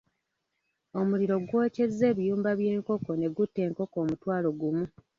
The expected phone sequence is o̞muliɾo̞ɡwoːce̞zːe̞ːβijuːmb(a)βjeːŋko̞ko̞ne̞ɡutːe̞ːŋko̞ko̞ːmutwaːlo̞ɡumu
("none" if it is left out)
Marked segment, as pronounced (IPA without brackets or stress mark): a